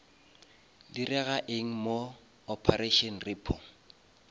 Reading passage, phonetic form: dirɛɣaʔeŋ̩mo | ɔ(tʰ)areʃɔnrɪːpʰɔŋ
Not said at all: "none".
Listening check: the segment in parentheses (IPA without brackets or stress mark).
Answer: pʰ